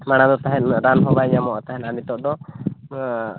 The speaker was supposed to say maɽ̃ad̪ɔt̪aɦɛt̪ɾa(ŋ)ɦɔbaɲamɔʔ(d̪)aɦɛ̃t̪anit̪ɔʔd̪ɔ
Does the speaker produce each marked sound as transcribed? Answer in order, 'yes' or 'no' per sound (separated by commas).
no, no